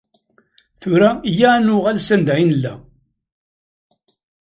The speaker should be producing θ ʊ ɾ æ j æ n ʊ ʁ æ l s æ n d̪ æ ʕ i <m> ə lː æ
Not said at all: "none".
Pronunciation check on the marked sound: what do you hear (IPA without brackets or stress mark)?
n